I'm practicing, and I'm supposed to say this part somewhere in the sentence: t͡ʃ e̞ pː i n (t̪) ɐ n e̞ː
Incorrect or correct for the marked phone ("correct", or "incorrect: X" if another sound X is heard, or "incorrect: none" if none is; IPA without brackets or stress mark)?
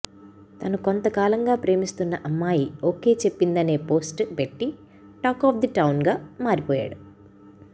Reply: incorrect: d̪